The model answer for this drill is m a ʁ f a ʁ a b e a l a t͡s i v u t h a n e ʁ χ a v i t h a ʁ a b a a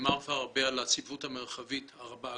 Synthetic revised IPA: m a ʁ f a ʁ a b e a l a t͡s i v u t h a m e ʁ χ a v i t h a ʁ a b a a